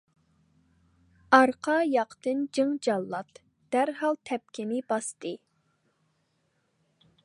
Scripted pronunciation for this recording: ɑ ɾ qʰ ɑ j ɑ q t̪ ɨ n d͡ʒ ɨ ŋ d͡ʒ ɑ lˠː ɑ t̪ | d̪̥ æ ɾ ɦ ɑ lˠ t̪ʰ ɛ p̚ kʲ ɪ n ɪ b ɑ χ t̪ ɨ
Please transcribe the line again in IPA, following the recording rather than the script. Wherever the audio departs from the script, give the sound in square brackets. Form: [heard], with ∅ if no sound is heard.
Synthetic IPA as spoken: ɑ ɾ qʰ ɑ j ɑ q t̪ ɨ n d͡ʒ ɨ ŋ d͡ʒ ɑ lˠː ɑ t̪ | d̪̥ æ ɾ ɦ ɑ lˠ t̪ʰ ɛ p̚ kʲ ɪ n ɪ b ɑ [s] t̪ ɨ